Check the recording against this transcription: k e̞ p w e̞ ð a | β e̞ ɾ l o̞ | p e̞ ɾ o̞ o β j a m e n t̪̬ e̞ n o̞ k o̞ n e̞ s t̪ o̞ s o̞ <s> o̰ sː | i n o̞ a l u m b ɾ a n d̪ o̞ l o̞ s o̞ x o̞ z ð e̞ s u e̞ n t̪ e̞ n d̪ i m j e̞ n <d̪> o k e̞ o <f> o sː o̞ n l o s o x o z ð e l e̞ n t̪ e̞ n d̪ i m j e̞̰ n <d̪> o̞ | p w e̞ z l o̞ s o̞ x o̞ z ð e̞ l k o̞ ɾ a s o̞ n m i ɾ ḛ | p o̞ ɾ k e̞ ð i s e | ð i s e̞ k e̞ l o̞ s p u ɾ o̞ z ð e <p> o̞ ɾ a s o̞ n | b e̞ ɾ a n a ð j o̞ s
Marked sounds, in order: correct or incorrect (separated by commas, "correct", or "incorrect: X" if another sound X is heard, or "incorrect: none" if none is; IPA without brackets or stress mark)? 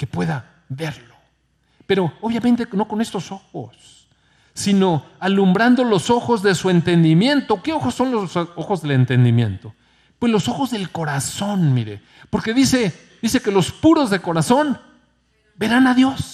incorrect: x, incorrect: t̪, incorrect: x, incorrect: t̪, incorrect: k